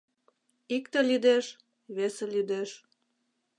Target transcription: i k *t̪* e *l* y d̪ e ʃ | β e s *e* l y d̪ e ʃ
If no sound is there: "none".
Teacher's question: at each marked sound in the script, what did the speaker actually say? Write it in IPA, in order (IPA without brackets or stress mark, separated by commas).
t̪, l, e